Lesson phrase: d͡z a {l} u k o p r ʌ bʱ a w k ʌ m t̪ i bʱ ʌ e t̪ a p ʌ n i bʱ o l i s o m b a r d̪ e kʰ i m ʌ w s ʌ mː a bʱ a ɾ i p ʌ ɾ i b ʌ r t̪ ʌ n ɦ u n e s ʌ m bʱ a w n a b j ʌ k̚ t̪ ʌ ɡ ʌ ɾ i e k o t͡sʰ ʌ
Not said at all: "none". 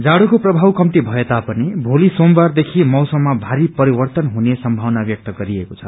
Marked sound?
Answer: ɽ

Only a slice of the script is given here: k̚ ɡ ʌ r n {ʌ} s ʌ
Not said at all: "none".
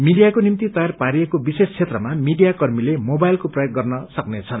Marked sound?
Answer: ʌ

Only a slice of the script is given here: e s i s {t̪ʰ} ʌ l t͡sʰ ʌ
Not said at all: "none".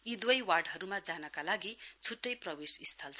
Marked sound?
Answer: t̪ʰ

